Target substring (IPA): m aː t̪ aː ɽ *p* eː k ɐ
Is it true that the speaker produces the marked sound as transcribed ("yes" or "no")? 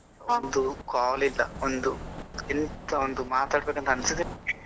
no